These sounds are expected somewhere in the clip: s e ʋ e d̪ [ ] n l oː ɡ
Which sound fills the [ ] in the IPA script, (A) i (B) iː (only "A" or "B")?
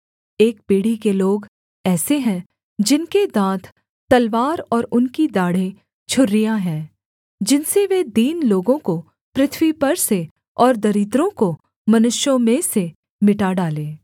B